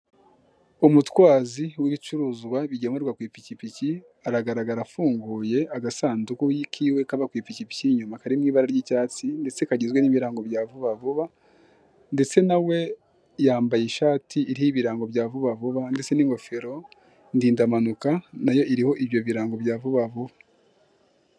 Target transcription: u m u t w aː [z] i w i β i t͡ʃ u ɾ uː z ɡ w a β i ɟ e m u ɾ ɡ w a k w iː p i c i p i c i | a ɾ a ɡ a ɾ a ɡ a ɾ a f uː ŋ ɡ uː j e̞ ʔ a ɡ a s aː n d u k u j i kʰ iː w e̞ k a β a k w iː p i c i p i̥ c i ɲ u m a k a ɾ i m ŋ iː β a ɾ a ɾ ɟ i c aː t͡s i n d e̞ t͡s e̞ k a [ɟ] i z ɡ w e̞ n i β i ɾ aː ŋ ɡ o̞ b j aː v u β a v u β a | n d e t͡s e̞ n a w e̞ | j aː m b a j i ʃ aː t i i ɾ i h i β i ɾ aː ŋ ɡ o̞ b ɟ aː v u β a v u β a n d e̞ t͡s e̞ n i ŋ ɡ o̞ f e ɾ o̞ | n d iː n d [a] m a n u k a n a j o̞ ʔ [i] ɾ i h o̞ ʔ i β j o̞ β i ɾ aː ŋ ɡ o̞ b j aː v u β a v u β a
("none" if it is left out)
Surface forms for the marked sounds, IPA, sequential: z, ɟ, a, i

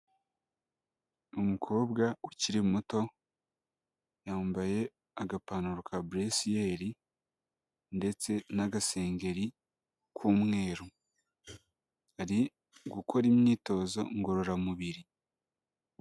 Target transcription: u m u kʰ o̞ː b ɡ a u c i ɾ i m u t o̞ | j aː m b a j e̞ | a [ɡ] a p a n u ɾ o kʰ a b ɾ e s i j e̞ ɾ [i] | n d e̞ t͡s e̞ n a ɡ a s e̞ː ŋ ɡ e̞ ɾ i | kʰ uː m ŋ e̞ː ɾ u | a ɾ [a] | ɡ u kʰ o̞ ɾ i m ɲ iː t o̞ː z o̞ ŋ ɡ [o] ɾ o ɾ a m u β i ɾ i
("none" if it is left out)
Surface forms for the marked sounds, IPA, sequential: ɡ, i, i, o

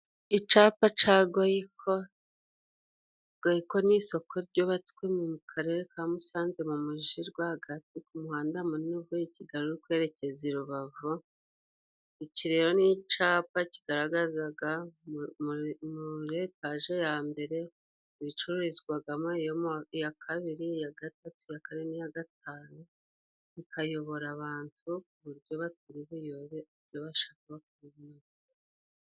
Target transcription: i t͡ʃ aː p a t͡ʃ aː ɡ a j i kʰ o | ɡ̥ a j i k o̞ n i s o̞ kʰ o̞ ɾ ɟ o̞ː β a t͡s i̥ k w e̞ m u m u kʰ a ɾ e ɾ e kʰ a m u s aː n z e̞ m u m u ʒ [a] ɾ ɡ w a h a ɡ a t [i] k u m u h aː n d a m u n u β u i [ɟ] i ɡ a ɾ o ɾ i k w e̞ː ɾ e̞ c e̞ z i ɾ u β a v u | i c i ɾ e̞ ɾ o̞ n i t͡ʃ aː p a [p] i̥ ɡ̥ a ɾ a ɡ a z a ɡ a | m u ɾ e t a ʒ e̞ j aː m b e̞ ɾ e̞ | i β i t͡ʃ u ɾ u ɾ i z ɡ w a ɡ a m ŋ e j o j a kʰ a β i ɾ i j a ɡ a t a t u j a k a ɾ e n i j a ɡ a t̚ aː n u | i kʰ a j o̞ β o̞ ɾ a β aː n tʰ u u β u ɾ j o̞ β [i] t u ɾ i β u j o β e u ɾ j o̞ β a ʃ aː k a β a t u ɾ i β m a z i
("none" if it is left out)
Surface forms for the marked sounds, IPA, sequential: i, i, c, c, a

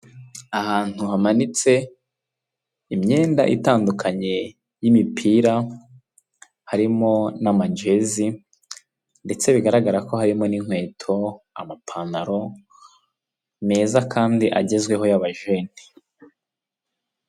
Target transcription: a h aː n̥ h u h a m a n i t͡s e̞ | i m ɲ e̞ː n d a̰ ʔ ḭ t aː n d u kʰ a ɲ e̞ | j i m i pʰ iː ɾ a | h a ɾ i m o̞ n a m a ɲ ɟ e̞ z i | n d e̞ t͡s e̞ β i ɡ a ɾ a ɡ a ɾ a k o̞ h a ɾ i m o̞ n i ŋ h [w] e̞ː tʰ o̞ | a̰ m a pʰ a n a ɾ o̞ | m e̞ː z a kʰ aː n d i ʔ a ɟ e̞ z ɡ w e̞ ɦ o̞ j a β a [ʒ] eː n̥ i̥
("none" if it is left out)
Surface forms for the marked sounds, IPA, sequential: w, ʒ

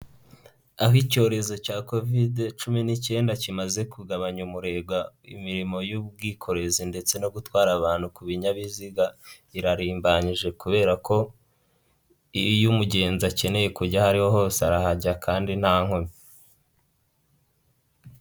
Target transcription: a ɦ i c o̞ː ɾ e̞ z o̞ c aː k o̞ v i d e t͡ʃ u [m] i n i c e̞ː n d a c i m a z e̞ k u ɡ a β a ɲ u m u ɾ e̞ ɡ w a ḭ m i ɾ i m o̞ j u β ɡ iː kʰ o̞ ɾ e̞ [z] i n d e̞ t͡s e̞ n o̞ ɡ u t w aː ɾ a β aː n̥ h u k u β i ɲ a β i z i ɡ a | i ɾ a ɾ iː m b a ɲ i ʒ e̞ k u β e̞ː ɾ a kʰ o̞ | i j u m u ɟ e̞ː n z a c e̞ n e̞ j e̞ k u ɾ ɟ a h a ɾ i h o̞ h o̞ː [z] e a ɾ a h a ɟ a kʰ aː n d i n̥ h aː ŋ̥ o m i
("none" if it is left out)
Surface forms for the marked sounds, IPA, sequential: m, z, s

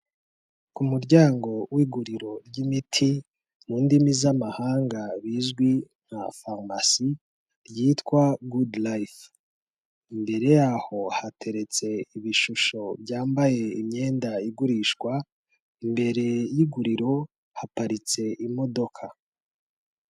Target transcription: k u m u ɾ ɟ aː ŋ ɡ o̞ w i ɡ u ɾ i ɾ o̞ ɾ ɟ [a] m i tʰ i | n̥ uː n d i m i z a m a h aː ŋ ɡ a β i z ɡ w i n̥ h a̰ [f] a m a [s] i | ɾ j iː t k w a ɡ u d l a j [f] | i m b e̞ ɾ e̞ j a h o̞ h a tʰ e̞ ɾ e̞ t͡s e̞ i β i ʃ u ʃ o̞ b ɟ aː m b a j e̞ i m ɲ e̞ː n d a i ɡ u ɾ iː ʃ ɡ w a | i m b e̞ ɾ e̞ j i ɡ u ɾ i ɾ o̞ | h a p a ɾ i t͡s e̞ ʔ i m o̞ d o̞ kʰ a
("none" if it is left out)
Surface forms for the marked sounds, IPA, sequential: i, f, s, f

